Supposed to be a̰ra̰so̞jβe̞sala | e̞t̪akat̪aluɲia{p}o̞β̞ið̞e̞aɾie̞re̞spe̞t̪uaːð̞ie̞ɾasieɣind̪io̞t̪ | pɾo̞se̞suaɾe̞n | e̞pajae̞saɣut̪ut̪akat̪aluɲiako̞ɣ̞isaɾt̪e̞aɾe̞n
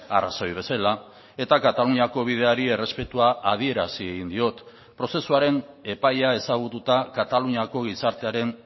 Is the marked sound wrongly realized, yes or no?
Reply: yes